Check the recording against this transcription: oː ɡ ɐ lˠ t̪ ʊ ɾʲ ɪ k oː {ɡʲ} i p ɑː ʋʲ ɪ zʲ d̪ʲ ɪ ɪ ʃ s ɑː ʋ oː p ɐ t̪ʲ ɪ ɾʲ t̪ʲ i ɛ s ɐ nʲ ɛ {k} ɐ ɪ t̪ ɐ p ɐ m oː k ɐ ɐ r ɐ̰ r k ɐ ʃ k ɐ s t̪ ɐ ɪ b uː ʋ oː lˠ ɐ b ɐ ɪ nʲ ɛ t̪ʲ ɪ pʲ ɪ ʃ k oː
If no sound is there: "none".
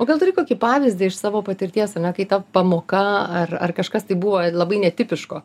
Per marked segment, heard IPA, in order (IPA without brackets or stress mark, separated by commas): kʲ, k